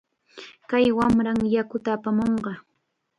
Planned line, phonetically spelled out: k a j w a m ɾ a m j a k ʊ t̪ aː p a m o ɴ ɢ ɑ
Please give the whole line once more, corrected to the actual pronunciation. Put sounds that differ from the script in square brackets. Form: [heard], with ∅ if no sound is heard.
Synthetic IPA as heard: k a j w a m ɾ a [ŋ] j a k ʊ t̪ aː p a m o ɴ ɢ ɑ